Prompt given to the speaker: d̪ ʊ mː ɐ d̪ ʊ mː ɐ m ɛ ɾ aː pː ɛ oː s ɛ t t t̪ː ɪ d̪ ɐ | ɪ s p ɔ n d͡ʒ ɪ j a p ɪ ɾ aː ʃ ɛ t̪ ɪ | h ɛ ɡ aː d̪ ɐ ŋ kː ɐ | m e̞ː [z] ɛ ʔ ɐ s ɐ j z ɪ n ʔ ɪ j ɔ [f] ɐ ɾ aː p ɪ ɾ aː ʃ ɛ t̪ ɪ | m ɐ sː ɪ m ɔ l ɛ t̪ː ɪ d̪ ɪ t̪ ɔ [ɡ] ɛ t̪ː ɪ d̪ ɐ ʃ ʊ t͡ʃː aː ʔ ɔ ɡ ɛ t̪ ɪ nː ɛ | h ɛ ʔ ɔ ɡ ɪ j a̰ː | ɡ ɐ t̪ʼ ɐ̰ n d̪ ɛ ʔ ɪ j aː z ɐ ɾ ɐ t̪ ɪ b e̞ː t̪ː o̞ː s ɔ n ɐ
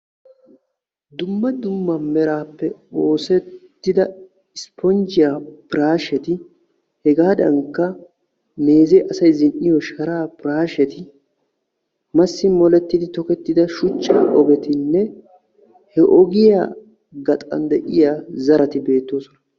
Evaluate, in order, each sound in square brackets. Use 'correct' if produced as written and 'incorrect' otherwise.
correct, incorrect, incorrect

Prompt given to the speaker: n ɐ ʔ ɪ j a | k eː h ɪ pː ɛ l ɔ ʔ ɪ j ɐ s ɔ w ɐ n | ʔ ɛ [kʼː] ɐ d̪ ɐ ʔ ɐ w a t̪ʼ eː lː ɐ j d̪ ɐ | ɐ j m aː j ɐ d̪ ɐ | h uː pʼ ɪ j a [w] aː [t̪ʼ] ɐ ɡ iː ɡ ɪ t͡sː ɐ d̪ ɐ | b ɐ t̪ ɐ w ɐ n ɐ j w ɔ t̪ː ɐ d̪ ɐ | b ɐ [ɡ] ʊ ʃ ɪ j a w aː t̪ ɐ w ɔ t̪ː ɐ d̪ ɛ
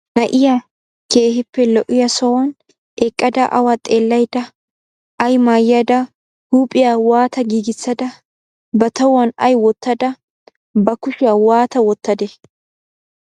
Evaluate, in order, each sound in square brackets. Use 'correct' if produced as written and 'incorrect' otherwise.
correct, correct, incorrect, incorrect

